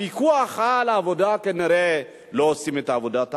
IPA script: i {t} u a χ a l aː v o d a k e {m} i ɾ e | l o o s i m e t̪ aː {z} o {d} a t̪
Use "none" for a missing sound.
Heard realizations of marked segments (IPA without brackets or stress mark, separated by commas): k, n, v, d